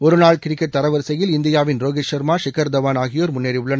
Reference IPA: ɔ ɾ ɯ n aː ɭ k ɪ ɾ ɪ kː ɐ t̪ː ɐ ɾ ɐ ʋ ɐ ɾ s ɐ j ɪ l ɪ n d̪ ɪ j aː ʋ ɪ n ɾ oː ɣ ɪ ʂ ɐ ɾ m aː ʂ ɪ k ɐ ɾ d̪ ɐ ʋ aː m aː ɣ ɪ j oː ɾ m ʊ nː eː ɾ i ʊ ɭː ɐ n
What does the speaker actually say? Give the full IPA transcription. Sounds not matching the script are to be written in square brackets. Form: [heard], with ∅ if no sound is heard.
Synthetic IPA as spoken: ɔ ɾ ɯ n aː ɭ k ɪ ɾ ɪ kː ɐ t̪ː ɐ ɾ ɐ ʋ ɐ ɾ s ɐ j ɪ l ɪ n d̪ ɪ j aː ʋ ɪ n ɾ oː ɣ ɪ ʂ ɐ ɾ m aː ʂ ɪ k ɐ ɾ d̪ ɐ ʋ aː [n] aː ɣ ɪ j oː ɾ m ʊ nː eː ɾ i ʊ ɭː ɐ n

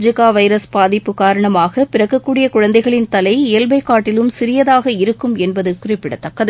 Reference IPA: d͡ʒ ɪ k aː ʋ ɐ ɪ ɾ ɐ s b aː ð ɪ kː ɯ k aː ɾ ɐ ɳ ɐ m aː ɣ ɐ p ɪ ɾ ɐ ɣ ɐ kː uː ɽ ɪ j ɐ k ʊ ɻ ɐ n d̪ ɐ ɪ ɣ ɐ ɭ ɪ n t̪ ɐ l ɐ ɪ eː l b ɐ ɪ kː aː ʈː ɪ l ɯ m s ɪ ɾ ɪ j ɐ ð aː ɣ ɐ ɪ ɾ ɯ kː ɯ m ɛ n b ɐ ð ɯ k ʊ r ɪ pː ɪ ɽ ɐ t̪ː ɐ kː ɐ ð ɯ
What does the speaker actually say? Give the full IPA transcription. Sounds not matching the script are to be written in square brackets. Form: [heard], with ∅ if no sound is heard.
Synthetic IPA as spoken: d͡ʒ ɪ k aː ʋ ɐ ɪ ɾ ɐ s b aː ð ɪ [pː] ɯ k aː ɾ ɐ ɳ ɐ m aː ɣ ɐ p ɪ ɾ ɐ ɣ ɐ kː uː ɽ ɪ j ɐ k ʊ ɻ ɐ n d̪ ɐ ɪ ɣ ɐ ɭ ɪ n t̪ ɐ l ɐ ɪ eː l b ɐ ɪ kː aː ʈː ɪ l ɯ m s ɪ ɾ ɪ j ɐ ð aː ɣ ɐ ɪ ɾ ɯ kː ɯ m ɛ n b ɐ ð ɯ k ʊ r ɪ pː ɪ ɽ ɐ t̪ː ɐ kː ɐ ð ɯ

